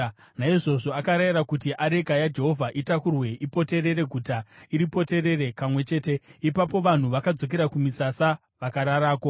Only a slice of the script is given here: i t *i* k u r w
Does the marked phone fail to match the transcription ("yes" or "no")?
yes